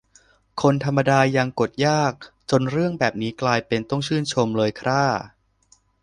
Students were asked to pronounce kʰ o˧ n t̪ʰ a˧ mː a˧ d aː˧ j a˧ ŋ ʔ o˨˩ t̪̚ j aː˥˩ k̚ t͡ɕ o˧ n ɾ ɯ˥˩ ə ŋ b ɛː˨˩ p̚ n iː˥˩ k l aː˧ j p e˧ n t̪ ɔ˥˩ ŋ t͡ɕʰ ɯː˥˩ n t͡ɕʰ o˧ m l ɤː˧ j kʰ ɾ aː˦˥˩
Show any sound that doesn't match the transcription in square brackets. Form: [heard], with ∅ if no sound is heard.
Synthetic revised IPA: kʰ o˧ n t̪ʰ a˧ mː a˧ d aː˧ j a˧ ŋ [k] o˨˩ t̪̚ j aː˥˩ k̚ t͡ɕ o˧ n ɾ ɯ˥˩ ə ŋ b ɛː˨˩ p̚ n [iː˦˥] k l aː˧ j p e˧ n t̪ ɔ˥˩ ŋ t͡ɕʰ ɯː˥˩ n t͡ɕʰ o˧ m l ɤː˧ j kʰ ɾ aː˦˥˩